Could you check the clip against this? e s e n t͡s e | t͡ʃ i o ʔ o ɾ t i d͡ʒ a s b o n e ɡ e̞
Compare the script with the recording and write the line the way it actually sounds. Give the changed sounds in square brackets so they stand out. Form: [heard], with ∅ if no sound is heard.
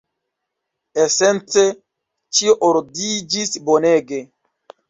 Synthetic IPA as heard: e s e n t͡s e | t͡ʃ i o ʔ o ɾ [d] i d͡ʒ [i] s b o n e ɡ e̞

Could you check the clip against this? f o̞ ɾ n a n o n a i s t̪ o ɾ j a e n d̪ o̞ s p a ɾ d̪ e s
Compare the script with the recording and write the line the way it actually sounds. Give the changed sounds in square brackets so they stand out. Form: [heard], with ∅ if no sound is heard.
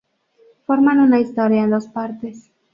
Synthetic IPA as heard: f o̞ ɾ [m] a n [u] n a i s t̪ o ɾ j a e n d̪ o̞ s p a ɾ [t̪] e s

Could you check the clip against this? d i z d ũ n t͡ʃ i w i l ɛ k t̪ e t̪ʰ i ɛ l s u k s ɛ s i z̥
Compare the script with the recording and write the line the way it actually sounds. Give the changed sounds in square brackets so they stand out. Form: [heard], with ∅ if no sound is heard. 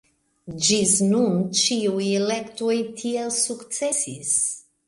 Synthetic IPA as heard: [d͡ʒ] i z [n] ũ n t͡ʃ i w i l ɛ k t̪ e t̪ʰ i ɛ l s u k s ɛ s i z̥

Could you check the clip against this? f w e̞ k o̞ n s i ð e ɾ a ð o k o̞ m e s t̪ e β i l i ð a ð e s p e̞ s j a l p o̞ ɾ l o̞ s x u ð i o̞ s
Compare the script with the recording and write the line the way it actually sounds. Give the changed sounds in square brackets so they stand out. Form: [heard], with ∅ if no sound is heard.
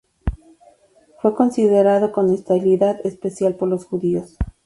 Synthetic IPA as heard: f w e̞ k o̞ n s i ð e ɾ a ð o k o̞ [n] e s t̪ [a] β i l i ð a ð e s p e̞ s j a l p o̞ ɾ l o̞ s x u ð i o̞ s

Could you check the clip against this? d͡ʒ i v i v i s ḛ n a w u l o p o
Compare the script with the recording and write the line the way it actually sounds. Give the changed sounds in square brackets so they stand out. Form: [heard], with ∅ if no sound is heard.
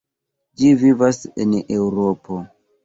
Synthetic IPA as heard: d͡ʒ i v i v [a] s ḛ n [e] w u [ɾ] o p o

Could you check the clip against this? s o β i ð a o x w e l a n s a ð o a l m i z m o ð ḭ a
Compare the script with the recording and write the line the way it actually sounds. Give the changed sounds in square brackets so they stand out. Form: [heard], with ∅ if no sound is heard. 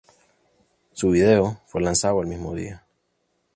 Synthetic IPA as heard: s [u] β i ð [e] o [f] w e l a n s a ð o [e] l m i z m o ð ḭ a

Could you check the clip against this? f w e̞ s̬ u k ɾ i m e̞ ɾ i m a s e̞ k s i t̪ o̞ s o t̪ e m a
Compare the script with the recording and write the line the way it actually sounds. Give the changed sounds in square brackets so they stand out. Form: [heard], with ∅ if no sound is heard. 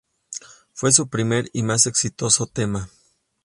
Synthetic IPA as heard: f w e̞ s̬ u [p] ɾ i m e̞ ɾ i m a s e̞ k s i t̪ o̞ s o t̪ e m a

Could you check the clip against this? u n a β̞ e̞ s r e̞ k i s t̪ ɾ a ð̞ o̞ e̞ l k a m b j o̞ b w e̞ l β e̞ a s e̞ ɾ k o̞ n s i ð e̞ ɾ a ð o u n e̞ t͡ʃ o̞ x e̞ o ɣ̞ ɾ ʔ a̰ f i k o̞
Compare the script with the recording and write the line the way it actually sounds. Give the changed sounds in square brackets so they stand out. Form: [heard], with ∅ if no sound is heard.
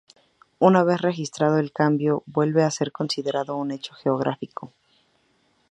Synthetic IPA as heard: u n a β̞ e̞ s r e̞ [x] i s t̪ ɾ a ð̞ o̞ e̞ l k a m b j o̞ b w e̞ l β e̞ a s e̞ ɾ k o̞ n s i ð e̞ ɾ a ð o u n e̞ t͡ʃ o̞ x e̞ o ɣ̞ ɾ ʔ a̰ f i k o̞

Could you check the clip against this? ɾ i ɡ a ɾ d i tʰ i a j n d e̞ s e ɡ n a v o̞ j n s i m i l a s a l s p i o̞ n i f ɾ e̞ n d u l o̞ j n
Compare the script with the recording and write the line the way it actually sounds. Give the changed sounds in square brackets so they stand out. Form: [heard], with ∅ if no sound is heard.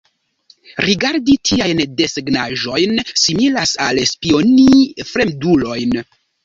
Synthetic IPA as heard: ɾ i ɡ a ɾ d i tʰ i a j n d e̞ s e ɡ n a [ʒ] o̞ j n s i m i l a s a l s p i o̞ n i f ɾ e̞ [m] d u l o̞ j n

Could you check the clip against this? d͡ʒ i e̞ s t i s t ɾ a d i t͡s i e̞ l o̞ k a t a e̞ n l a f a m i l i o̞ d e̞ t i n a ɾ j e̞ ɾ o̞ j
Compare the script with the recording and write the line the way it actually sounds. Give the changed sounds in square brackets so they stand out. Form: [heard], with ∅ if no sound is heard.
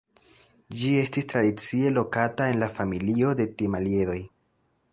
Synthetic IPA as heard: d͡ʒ i e̞ s t i s t ɾ a d i t͡s i e̞ l o̞ k a t a e̞ n l a f a m i l i o̞ d e̞ t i [m] a [l] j e̞ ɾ o̞ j

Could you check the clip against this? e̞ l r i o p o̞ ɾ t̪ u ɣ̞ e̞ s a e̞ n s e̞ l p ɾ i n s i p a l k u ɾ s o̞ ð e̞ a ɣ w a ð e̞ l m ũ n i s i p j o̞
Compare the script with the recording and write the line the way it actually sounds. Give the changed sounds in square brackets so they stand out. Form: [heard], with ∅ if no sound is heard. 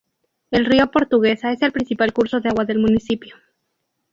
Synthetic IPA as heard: e̞ l r i o p o̞ ɾ t̪ u ɣ̞ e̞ s a e̞ [∅] s e̞ l p ɾ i n s i p a l k u ɾ s o̞ ð e̞ a ɣ w a ð e̞ l m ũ n i s i p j o̞

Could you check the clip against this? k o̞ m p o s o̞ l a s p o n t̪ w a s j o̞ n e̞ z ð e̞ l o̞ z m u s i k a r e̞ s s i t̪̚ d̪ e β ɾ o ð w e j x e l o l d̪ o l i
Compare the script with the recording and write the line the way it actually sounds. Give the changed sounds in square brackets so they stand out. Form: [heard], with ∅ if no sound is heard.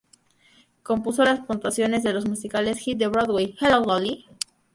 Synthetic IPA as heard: k o̞ m p [u] s o̞ l a s p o n t̪ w a s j o̞ n e̞ z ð e̞ l o̞ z m u s i k a [l] e̞ s [x] i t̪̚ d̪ e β ɾ o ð w e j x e l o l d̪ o l i

